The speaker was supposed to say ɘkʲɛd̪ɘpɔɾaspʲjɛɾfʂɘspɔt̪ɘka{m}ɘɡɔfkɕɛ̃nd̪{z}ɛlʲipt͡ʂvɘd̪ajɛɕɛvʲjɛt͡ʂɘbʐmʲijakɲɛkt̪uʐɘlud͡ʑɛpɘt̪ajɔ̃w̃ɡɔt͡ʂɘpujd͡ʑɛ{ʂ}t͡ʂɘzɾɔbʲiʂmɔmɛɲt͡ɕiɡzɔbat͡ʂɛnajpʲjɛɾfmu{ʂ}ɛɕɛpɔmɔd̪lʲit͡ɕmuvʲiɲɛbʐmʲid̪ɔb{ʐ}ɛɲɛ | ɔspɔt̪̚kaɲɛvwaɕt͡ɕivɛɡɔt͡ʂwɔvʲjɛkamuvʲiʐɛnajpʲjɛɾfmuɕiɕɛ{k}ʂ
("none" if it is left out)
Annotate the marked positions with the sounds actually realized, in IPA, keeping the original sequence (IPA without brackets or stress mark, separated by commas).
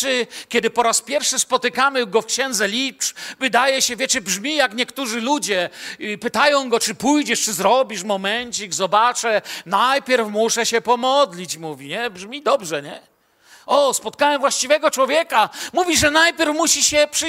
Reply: m, z, ʂ, ʂ, ʐ, p